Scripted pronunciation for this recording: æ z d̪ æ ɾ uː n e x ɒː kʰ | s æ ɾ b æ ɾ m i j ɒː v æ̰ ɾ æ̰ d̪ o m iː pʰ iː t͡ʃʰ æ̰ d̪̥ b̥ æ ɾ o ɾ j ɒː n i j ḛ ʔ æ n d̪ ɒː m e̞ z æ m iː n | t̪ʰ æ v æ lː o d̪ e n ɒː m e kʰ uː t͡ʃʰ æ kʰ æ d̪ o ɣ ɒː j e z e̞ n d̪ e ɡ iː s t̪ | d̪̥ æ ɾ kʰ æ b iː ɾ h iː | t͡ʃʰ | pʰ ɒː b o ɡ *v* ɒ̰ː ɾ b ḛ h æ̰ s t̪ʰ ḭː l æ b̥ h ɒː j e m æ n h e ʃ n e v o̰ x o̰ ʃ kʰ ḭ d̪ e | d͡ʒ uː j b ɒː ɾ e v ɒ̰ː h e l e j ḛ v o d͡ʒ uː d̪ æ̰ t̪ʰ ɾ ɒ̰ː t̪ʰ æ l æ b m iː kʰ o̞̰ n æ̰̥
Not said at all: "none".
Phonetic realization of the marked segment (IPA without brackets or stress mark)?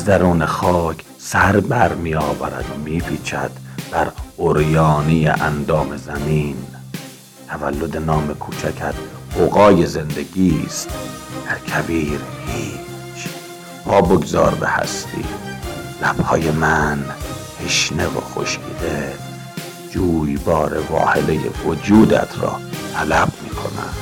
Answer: z